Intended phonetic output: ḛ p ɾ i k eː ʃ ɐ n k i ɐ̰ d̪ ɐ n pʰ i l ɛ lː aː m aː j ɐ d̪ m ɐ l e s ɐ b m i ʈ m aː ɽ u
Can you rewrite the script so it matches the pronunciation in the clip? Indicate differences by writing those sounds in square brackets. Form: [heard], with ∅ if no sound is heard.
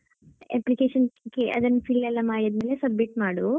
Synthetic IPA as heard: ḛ p [l] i k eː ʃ ɐ n k i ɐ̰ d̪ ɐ n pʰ i l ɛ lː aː m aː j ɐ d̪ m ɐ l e s ɐ b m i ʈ m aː ɽ u